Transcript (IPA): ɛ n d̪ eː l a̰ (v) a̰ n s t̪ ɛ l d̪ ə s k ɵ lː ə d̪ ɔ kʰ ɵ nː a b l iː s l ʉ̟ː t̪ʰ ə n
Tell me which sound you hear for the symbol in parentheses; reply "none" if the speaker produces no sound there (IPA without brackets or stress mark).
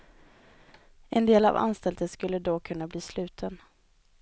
v